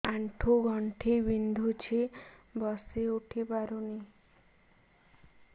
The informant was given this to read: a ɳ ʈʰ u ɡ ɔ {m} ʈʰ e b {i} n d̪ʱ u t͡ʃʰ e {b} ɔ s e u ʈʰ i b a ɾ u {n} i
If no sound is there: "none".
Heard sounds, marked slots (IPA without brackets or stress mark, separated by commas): ɳ, i, b, n